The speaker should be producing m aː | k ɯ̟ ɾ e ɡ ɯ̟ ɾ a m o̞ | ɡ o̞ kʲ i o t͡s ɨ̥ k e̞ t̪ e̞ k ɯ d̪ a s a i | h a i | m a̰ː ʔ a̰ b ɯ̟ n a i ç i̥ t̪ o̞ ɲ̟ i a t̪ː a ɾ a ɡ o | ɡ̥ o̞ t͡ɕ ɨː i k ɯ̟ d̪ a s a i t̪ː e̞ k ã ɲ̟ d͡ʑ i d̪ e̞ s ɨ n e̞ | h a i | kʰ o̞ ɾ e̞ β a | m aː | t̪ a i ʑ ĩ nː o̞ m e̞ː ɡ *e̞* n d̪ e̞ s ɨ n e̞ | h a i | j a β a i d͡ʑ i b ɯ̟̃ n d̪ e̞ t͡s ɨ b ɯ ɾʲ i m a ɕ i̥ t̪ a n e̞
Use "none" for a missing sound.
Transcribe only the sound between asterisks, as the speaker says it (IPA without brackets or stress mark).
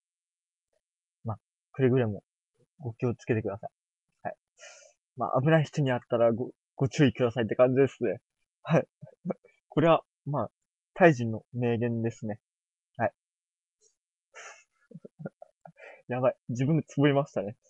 ẽ̞